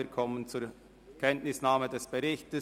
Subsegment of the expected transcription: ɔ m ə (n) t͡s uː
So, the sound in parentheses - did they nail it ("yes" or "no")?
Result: yes